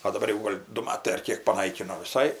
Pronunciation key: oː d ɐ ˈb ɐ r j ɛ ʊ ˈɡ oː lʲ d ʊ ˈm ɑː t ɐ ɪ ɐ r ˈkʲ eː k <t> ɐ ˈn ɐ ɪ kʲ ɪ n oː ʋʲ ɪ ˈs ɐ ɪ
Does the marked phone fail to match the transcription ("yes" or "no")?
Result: yes